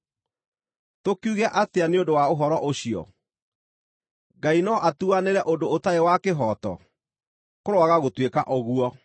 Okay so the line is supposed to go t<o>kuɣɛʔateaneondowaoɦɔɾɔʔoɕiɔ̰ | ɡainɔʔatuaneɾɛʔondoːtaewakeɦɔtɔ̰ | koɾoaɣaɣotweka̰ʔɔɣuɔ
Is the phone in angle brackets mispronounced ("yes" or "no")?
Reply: no